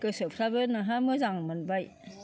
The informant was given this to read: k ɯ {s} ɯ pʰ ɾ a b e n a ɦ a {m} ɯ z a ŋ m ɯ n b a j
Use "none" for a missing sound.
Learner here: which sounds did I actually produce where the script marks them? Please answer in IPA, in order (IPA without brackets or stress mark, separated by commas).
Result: s, m